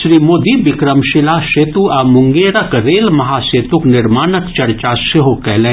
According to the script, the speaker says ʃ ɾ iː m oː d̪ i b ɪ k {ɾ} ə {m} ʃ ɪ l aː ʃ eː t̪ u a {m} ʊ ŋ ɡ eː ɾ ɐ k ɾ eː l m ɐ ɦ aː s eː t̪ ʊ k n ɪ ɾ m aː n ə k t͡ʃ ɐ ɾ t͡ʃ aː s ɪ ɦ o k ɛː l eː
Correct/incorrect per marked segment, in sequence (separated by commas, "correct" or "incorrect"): correct, correct, correct